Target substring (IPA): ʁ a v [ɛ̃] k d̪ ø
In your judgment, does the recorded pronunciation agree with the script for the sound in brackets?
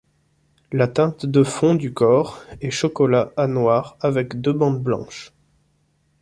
no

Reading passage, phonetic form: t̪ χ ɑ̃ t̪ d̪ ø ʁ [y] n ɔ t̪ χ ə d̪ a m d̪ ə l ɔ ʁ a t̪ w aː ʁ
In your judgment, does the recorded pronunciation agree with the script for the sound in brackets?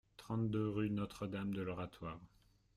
yes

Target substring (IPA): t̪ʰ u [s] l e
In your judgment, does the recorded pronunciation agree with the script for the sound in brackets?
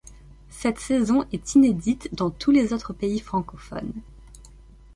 no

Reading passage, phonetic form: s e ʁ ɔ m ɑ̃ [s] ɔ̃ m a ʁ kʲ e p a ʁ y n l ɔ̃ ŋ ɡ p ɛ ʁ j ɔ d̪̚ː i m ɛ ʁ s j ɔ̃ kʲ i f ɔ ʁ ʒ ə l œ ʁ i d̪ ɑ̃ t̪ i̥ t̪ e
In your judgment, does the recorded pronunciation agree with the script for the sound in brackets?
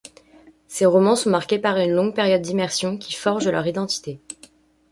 yes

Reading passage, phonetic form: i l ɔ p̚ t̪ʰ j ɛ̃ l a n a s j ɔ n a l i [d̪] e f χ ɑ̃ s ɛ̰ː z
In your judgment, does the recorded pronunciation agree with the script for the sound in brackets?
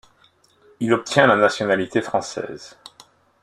no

